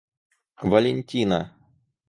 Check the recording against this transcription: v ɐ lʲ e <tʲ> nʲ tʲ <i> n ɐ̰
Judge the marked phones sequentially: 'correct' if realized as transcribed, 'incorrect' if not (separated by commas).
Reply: incorrect, correct